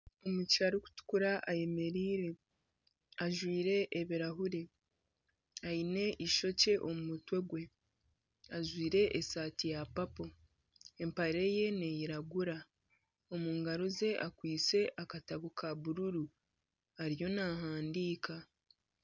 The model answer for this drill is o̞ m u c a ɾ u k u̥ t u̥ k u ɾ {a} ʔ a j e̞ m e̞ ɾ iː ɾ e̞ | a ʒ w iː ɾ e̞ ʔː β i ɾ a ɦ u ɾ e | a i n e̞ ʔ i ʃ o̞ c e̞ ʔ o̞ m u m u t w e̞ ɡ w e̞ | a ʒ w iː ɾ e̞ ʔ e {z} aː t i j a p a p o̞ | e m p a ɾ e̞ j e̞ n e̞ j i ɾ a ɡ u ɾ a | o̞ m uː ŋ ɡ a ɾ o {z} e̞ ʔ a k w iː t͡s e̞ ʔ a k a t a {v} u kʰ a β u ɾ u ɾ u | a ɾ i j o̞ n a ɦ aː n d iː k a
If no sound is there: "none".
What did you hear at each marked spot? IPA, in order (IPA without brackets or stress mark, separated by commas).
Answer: a, s, z, β